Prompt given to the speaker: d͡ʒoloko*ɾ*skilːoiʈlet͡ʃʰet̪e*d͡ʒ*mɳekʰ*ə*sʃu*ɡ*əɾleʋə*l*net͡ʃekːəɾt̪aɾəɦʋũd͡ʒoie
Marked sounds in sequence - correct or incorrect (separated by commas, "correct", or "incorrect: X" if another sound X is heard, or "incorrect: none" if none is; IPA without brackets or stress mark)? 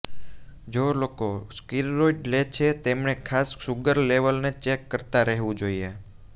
incorrect: none, incorrect: none, incorrect: a, correct, correct